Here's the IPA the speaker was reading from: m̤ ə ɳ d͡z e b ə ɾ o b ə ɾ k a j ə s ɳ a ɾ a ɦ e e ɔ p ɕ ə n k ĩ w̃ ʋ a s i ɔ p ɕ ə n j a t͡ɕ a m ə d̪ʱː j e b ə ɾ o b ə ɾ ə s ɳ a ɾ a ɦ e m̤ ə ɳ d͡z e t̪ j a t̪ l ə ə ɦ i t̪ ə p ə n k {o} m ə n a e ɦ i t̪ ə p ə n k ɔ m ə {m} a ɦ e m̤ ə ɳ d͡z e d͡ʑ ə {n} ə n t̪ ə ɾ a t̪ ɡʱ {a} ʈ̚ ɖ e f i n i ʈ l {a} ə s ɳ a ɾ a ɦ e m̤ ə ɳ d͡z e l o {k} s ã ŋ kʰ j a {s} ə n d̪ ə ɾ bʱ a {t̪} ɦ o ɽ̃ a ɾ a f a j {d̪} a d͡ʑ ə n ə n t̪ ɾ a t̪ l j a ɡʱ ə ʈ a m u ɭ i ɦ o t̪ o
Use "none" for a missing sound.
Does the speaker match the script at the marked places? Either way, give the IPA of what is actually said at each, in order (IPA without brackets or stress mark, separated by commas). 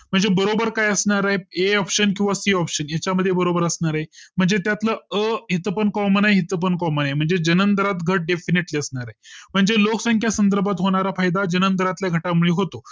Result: ɔ, n, n, ə, i, k, s, t̪, d̪